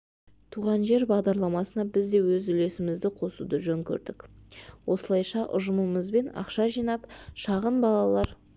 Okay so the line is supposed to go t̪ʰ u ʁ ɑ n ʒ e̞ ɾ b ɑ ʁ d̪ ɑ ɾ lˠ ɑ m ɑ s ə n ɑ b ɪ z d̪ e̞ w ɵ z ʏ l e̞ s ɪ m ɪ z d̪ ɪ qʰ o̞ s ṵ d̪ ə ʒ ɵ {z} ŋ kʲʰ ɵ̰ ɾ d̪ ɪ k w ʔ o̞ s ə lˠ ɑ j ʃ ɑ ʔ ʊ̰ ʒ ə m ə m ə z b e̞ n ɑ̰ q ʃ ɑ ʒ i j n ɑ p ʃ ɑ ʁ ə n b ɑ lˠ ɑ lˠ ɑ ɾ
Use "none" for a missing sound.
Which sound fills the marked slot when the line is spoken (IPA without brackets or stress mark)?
none